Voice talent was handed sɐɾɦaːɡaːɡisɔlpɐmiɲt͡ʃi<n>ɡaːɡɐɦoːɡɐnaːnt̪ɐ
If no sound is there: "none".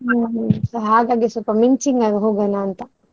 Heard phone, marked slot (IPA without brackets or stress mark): ŋ